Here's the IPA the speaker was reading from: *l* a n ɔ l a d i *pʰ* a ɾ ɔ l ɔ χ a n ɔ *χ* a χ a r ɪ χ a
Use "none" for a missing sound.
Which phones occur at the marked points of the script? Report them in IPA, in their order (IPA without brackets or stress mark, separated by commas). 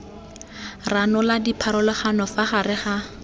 r, pʰ, f